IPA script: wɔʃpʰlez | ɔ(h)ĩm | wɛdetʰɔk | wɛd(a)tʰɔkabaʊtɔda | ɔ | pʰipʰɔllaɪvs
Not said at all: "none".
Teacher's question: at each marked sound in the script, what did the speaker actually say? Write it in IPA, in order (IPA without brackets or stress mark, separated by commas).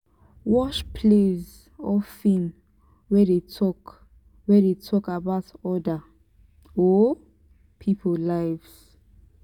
f, e